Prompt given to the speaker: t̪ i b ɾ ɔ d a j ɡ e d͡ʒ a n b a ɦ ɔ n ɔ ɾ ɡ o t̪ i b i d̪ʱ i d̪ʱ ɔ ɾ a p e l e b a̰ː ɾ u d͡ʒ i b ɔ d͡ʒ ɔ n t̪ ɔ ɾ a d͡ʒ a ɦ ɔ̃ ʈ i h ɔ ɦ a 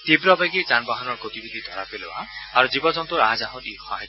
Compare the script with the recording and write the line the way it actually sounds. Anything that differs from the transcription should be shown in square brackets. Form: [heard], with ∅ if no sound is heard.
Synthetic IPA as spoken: t̪ i b ɾ ɔ [b] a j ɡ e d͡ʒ a n b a ɦ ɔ n ɔ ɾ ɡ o t̪ i b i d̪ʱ i d̪ʱ ɔ ɾ a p e l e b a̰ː ɾ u d͡ʒ i b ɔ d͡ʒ ɔ n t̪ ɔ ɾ a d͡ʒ a ɦ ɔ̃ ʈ i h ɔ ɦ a

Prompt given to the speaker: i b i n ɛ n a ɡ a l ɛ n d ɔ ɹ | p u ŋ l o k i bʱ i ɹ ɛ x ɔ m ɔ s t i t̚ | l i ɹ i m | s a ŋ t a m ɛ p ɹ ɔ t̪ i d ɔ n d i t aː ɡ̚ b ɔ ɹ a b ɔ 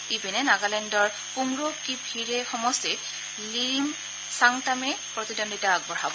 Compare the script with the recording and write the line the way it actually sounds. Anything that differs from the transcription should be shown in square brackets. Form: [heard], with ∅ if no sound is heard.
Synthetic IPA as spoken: i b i n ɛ n a ɡ a l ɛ n d ɔ ɹ | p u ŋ [ɹ] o k i bʱ i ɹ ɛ x ɔ m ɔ s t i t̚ | l i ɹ i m | s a ŋ t a m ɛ p ɹ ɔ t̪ i d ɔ n d i t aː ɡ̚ b ɔ ɹ a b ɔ

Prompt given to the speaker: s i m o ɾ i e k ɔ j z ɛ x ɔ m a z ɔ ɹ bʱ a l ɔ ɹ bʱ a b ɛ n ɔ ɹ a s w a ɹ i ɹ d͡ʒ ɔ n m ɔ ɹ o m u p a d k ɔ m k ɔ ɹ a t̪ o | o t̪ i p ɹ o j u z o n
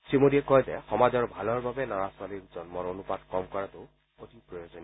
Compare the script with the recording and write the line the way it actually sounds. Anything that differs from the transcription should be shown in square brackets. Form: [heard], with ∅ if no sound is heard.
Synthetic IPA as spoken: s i m o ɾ i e k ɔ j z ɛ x ɔ m a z ɔ ɹ bʱ a l ɔ ɹ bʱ a b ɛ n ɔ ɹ a s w a [l] i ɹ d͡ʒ ɔ n m ɔ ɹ o [n] u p a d k ɔ m k ɔ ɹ a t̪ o | o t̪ i p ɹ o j [o] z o n

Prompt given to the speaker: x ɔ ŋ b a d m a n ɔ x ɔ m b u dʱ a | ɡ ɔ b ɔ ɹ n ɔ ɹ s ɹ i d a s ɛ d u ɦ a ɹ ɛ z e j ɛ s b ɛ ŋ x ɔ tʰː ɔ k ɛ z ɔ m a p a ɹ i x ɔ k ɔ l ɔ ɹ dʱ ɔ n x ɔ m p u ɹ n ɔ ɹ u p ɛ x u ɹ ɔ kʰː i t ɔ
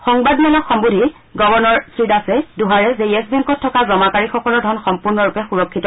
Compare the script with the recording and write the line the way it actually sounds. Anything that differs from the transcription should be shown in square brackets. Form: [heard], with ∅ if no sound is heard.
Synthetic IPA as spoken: x ɔ ŋ b a d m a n ɔ x ɔ m b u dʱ [i] | ɡ ɔ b ɔ ɹ n ɔ ɹ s ɹ i d a s ɛ d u ɦ a ɹ ɛ z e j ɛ s b ɛ ŋ [k] ɔ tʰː ɔ k [a] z ɔ m a [k] a ɹ i x ɔ k ɔ l ɔ ɹ dʱ ɔ n x ɔ m p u ɹ n ɔ ɹ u p ɛ x u ɹ ɔ kʰː i t ɔ

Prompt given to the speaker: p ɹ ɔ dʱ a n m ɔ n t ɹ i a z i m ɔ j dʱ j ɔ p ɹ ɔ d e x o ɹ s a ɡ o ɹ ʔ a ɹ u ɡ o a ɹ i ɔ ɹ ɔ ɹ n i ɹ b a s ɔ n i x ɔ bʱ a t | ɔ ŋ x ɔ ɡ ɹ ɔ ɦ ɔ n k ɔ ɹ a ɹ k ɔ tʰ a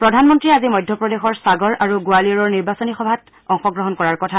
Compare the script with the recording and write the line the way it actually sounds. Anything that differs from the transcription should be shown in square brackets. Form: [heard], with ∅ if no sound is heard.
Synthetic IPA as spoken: p ɹ ɔ dʱ a n m ɔ n t ɹ i a z i m ɔ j dʱ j ɔ p ɹ ɔ d e x [ɔ] ɹ s a ɡ [ɔ] ɹ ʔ a ɹ u ɡ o a [l] i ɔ ɹ ɔ ɹ n i ɹ b a s ɔ n i x ɔ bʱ a t | ɔ ŋ x ɔ ɡ ɹ ɔ ɦ ɔ n k ɔ ɹ a ɹ k ɔ tʰ a

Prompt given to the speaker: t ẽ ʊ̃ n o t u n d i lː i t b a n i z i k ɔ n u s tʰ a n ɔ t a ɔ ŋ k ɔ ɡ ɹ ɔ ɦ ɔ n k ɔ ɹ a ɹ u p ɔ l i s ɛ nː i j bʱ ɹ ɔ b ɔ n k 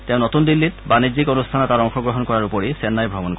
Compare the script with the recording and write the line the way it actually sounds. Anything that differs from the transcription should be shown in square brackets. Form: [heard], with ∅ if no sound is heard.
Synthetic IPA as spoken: t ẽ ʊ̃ n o t u n d i lː i t b a n i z i k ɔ n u s tʰ a n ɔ t a ɔ ŋ [x] ɔ ɡ ɹ ɔ ɦ ɔ n k ɔ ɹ a ɹ u p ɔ [ɹ] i s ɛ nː [a] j bʱ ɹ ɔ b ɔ n k

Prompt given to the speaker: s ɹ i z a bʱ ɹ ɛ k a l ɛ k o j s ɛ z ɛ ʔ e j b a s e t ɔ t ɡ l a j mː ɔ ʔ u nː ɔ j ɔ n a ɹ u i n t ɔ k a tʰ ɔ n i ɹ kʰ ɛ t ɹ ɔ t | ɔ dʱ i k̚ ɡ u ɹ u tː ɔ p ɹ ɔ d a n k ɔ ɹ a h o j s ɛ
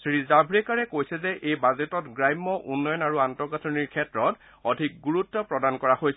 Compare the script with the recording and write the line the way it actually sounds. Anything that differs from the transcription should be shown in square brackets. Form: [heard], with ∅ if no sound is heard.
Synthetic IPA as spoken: s ɹ i z a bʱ ɹ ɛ k a [ɹ] ɛ k o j s ɛ z ɛ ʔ e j b a [z] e t ɔ t ɡ [ɹ] a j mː ɔ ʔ u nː ɔ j ɔ n a ɹ u [a] n t ɔ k a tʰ ɔ n i ɹ kʰ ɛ t ɹ ɔ t | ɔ dʱ i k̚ ɡ u ɹ u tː ɔ p ɹ ɔ d a n k ɔ ɹ a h o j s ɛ

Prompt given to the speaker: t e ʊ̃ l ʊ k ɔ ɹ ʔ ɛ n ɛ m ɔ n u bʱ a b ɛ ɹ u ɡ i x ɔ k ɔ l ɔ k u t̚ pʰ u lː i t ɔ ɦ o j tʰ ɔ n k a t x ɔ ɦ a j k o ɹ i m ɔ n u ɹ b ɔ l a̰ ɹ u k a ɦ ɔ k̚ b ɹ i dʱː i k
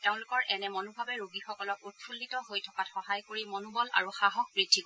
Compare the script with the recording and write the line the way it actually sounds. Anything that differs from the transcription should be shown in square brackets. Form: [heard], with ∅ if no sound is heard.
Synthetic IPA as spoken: t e ʊ̃ l ʊ k ɔ ɹ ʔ ɛ n ɛ m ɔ n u bʱ a b ɛ ɹ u ɡ i x ɔ k ɔ l ɔ k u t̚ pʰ u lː i t ɔ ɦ o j tʰ ɔ [∅] k a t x ɔ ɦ a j k o ɹ i m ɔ n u [∅] b ɔ l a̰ ɹ u [x] a ɦ ɔ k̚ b ɹ i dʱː i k

